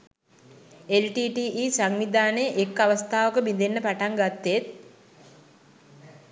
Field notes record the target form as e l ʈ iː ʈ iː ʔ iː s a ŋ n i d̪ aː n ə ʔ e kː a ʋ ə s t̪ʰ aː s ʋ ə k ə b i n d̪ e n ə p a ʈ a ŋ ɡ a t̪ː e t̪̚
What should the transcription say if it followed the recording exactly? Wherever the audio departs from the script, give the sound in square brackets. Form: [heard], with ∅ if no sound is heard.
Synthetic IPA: e l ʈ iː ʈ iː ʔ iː s a ŋ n i d̪ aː n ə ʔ e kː a ʋ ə s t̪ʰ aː [∅] ʋ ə k ə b i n d̪ e [nː] ə p a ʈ a ŋ ɡ a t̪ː e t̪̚